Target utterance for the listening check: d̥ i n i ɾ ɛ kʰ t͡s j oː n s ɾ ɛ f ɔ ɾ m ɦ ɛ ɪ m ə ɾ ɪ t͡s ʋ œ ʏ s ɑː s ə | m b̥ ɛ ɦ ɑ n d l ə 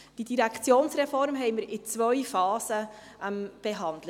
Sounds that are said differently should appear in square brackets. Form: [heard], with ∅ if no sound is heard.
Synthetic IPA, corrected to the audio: d̥ i [d] i ɾ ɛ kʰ t͡s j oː n s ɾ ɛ f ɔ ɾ m ɦ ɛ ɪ m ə ɾ ɪ t͡s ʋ œ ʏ [f] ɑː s ə | m b̥ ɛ ɦ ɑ n d l ə